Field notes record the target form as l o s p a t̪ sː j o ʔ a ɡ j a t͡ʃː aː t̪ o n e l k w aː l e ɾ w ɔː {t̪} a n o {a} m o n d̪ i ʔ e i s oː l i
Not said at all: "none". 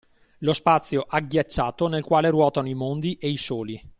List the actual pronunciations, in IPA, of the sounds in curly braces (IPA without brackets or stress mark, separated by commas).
t̪, i